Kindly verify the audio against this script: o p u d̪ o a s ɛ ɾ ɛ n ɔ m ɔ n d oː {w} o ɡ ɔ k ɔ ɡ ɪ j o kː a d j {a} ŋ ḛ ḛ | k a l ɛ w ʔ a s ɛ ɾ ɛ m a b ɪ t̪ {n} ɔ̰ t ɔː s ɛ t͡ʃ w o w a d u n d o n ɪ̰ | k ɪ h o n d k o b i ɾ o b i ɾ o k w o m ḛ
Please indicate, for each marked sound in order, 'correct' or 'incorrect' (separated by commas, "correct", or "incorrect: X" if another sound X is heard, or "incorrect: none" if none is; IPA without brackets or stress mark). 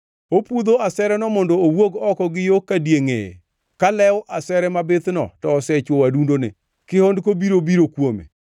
correct, incorrect: e, correct